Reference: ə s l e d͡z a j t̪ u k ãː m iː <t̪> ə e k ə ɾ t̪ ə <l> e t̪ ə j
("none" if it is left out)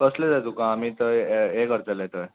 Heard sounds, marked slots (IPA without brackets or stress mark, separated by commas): t̪, l